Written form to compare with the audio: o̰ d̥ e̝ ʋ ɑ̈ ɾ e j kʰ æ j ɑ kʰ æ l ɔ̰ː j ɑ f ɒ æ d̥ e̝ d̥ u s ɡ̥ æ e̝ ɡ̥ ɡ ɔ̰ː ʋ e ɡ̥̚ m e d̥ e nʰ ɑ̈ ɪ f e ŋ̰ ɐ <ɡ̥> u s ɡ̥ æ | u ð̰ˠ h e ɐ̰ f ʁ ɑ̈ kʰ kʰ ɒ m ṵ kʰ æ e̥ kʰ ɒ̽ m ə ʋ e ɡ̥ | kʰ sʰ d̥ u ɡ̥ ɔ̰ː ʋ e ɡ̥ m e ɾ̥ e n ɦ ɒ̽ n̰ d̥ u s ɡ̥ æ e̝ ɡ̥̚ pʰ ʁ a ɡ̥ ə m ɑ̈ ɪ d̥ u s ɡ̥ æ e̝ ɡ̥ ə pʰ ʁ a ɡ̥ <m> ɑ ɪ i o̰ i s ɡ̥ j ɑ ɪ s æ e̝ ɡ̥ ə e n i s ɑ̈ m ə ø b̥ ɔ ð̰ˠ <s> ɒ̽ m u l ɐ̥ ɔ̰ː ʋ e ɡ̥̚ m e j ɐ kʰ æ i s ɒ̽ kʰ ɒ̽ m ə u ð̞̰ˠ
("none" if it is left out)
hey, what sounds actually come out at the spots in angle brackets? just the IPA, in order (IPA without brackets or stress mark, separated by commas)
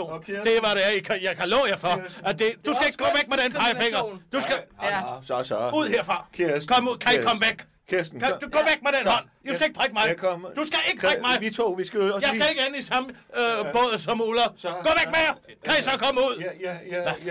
d̥, m, s